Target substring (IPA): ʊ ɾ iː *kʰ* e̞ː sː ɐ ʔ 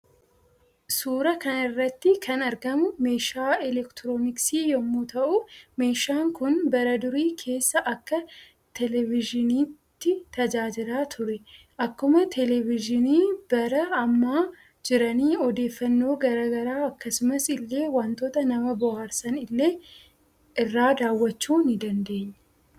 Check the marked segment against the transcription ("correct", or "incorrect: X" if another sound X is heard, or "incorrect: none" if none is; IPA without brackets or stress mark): correct